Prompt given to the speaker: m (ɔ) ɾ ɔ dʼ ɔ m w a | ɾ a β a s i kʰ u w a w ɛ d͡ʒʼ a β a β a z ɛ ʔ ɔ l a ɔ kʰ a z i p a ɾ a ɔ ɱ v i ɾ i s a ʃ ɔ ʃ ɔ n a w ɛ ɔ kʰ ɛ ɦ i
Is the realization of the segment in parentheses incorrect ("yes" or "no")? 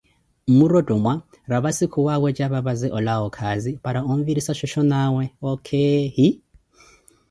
yes